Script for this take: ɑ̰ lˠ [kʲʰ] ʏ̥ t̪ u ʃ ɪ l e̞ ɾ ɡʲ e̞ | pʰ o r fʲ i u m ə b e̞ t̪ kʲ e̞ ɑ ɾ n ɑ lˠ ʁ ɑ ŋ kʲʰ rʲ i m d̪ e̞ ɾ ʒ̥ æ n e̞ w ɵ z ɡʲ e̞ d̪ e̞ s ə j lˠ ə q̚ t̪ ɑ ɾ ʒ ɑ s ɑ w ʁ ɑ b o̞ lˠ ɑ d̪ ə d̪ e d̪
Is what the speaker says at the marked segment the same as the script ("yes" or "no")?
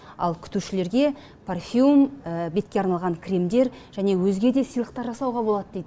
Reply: yes